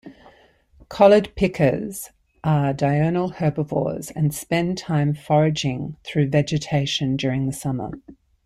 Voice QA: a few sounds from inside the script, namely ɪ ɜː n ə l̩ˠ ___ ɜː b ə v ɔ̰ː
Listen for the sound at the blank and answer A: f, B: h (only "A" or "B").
B